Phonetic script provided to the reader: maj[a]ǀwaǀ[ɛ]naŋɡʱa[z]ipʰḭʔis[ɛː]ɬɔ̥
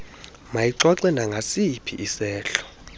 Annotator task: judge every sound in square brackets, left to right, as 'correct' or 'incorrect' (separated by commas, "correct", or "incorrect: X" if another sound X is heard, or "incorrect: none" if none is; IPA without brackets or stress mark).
incorrect: i, correct, incorrect: s, correct